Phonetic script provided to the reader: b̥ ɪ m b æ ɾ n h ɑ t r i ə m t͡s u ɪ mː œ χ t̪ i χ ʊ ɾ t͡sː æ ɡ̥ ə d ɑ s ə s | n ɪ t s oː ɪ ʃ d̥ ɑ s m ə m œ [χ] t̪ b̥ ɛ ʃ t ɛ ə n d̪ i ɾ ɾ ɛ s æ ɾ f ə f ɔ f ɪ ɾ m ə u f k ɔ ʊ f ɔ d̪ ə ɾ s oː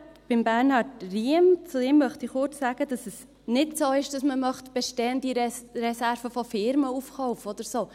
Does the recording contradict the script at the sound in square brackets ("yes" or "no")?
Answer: no